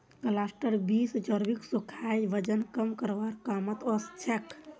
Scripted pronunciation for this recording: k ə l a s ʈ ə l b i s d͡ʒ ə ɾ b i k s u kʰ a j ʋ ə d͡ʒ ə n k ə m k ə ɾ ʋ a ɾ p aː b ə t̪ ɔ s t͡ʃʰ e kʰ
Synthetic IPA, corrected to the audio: k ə l a s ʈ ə ɾ b i s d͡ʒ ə ɾ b i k s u kʰ a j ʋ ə d͡ʒ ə n k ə m k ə ɾ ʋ a ɾ k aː m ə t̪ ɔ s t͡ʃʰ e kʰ